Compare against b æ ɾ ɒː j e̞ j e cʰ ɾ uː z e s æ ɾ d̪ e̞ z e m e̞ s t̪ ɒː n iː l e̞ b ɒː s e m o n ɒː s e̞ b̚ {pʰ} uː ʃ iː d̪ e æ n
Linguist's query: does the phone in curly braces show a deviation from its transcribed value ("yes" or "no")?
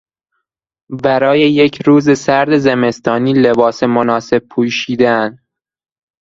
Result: no